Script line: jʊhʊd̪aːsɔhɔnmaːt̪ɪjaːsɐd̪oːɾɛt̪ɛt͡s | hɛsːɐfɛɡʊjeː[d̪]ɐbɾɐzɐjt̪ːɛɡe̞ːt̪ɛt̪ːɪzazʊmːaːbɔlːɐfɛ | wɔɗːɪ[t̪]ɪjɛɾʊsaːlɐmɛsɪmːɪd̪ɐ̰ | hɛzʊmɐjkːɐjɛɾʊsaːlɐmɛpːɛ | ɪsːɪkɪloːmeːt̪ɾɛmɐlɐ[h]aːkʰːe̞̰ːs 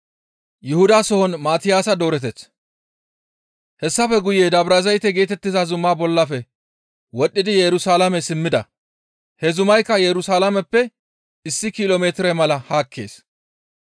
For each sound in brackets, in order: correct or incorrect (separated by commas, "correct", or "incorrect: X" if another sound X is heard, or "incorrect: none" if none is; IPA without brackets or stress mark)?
correct, incorrect: d̪, correct